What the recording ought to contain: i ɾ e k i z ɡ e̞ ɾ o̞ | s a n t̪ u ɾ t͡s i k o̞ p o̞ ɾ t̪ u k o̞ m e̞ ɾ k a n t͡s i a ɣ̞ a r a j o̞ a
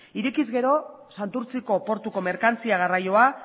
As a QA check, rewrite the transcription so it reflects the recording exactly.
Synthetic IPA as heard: i ɾ e k i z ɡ e̞ ɾ o̞ | s a n t̪ u ɾ t͡s i k o̞ p o̞ ɾ t̪ u k o̞ m e̞ ɾ k a n t͡s i a ɣ̞ a r a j o̞ a